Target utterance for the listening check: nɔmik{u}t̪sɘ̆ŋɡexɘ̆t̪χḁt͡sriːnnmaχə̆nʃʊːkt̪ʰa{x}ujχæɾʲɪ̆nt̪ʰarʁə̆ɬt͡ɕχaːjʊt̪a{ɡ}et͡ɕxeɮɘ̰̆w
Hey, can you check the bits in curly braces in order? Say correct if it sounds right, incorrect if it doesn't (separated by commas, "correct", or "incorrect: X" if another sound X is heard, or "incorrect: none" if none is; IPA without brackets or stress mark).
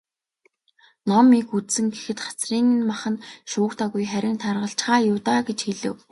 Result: correct, incorrect: ɣ, correct